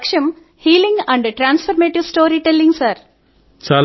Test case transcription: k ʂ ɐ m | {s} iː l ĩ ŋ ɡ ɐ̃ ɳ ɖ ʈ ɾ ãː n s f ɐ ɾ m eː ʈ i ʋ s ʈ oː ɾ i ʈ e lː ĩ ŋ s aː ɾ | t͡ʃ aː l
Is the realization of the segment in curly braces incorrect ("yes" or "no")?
yes